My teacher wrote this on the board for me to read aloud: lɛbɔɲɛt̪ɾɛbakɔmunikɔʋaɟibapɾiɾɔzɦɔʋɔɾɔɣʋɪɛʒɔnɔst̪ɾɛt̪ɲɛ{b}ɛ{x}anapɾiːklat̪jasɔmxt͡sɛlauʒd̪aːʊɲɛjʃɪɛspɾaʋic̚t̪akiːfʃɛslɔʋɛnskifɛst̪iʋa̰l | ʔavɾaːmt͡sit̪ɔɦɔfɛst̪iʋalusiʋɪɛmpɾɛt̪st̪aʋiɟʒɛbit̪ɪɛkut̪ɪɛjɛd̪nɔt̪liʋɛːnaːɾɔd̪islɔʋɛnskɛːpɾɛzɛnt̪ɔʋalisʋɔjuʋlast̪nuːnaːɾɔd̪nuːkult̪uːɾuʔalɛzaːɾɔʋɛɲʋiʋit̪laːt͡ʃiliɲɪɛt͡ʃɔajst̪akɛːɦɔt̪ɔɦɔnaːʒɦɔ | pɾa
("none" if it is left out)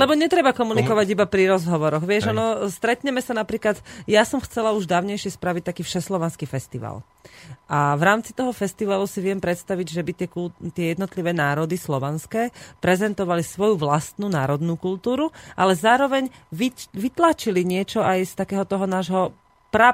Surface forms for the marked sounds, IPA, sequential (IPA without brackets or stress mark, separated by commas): m, s